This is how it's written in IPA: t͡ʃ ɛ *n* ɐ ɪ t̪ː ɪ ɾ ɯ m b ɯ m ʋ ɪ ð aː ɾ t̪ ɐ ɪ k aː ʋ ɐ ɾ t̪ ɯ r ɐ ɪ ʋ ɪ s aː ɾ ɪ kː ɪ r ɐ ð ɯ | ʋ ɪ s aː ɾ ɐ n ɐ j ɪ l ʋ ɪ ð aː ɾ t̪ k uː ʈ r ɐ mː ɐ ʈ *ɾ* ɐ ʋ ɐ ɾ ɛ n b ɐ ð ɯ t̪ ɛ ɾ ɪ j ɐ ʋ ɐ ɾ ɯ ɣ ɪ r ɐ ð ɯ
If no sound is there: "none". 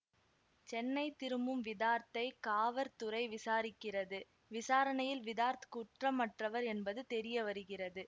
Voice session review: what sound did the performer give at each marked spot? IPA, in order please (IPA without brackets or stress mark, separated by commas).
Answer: nː, r